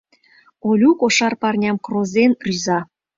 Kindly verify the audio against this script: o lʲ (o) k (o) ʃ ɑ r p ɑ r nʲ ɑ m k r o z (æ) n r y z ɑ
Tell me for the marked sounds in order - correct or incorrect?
incorrect: u, correct, incorrect: e

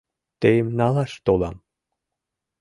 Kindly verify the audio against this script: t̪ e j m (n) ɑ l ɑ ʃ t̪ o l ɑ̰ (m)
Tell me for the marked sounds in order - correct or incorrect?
correct, correct

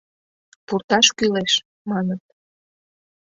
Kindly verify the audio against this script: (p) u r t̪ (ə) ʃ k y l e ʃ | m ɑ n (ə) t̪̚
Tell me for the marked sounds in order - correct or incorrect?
correct, incorrect: ɑ, correct

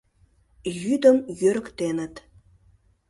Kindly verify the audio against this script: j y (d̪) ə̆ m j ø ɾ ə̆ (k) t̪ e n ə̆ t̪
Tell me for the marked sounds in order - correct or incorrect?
correct, correct

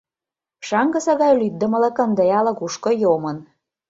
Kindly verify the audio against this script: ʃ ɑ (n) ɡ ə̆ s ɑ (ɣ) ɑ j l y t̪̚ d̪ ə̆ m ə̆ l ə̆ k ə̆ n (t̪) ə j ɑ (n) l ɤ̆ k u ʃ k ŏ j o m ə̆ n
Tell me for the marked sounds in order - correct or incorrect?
incorrect: ŋ, correct, incorrect: d̪, incorrect: none

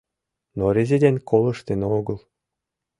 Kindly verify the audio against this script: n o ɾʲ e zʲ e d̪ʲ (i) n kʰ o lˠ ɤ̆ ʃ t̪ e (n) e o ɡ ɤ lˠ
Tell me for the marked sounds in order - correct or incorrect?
incorrect: e, correct

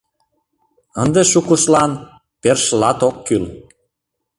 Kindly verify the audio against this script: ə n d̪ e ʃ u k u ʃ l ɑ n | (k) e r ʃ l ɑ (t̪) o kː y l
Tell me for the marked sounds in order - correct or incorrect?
incorrect: p, correct

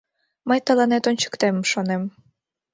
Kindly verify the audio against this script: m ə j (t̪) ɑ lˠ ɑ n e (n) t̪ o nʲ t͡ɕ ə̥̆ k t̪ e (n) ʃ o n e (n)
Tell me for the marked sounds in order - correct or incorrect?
correct, incorrect: none, incorrect: m, incorrect: m

